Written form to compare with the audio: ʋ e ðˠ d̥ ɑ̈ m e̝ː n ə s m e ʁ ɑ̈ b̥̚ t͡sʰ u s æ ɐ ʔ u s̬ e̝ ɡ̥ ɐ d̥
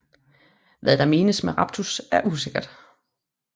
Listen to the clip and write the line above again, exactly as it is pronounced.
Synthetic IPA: ʋ æ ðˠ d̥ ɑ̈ m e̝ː n ə s m e ʁ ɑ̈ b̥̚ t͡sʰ u s æ ɐ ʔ u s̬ e̝ ɡ̥ ɐ d̥